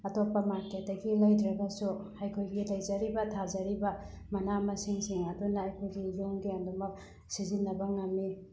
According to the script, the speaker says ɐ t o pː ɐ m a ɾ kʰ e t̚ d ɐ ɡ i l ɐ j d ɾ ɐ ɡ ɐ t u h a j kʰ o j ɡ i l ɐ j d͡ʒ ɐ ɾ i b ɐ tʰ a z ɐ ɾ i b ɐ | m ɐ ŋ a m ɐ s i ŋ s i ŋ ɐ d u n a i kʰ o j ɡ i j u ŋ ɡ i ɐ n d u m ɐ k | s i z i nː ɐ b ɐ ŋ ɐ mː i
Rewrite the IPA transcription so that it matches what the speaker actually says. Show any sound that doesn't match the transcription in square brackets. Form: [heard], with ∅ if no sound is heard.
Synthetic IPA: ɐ t o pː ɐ m a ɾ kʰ e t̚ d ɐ ɡ i l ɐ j d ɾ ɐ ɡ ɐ [s] u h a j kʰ o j ɡ i l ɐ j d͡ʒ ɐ ɾ i b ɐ tʰ a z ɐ ɾ i b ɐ | m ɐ [n] a m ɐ s i ŋ s i ŋ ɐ d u n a [j] kʰ o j ɡ i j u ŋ ɡ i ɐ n d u m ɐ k | s i z i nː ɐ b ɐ ŋ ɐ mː i